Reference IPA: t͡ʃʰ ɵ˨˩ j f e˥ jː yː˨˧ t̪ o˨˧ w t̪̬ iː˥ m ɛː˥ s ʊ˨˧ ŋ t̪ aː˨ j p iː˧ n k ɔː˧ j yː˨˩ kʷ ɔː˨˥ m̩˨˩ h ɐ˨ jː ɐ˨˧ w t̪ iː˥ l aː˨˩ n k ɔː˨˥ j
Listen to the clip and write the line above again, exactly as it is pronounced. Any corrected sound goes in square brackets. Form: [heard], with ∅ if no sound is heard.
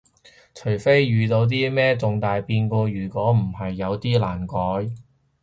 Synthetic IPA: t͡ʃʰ ɵ˨˩ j f e˥ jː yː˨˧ t̪ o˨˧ w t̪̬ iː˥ m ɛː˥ [t͡s] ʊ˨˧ ŋ t̪ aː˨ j p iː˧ n k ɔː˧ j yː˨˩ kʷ ɔː˨˥ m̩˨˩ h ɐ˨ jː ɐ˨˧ w t̪ iː˥ l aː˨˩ n k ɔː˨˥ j